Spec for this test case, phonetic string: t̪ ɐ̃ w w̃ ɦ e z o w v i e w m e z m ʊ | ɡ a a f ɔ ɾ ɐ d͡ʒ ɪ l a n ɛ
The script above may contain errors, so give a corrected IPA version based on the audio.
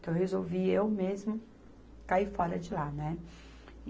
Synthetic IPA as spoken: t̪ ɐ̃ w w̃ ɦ e z o w v i e w m e z m ʊ | k a i f ɔ ɾ ɐ d͡ʒ ɪ l a n ɛ